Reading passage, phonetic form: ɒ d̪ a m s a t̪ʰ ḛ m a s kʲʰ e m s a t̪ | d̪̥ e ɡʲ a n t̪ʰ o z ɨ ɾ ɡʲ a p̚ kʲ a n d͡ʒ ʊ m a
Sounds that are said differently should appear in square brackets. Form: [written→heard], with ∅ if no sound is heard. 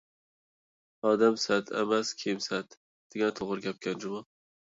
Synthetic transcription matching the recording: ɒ d̪ a m s a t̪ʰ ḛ m a s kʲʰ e m s a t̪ | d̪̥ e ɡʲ a n t̪ʰ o [z→ʁ] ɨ ɾ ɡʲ a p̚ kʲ a n d͡ʒ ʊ m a